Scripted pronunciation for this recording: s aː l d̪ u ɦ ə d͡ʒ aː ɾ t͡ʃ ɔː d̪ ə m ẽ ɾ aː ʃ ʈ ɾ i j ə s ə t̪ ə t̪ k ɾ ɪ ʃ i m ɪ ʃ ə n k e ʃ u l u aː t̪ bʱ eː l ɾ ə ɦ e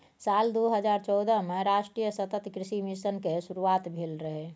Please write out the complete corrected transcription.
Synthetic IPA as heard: s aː l d̪ o ɦ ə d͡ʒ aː ɾ t͡ʃ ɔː d̪ ə m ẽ ɾ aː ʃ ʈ ɾ i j ə s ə t̪ ə t̪ k ɾ ɪ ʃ i m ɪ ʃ ə n k e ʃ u ɾ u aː t̪ bʱ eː l ɾ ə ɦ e